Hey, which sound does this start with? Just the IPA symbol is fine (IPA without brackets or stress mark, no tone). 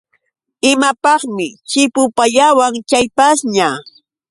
ɪ